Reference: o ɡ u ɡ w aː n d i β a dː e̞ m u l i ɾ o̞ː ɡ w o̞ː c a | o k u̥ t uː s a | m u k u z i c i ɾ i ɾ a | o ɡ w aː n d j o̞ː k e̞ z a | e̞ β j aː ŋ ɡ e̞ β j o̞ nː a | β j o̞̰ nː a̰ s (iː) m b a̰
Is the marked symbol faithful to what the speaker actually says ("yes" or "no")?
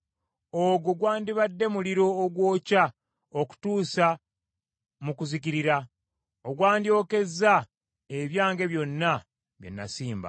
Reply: yes